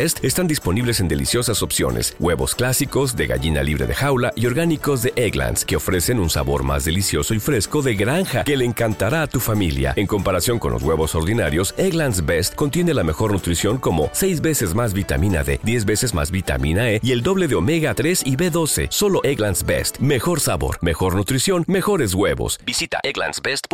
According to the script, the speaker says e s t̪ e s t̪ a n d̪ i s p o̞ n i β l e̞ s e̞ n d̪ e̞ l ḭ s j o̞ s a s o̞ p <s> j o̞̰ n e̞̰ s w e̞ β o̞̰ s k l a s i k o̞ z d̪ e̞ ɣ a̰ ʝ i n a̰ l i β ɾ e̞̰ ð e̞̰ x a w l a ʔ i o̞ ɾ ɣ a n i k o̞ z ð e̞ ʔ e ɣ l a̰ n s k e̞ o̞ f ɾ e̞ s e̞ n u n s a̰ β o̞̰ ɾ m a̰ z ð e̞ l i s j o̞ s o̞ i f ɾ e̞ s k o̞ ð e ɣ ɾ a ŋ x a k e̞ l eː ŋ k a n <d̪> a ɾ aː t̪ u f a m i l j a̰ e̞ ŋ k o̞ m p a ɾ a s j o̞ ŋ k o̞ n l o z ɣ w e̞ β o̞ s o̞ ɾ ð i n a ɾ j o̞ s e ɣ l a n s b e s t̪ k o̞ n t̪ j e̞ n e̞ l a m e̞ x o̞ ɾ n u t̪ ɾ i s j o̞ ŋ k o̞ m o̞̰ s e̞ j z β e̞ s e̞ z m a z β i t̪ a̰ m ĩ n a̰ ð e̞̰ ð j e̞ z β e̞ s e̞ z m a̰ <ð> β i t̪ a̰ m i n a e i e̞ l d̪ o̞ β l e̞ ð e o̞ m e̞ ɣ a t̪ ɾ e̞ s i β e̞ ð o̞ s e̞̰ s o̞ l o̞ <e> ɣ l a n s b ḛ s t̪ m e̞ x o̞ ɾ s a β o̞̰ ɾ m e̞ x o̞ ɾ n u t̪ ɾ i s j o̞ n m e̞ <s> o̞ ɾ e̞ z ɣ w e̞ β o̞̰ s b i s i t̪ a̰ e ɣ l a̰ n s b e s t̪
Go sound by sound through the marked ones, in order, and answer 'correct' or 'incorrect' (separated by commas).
correct, incorrect, incorrect, correct, incorrect